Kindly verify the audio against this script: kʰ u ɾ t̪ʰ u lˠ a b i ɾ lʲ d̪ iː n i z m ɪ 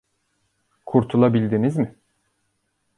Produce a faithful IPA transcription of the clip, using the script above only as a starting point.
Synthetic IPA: kʰ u ɾ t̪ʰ u lˠ a b i lʲ d̪ i n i z m ɪ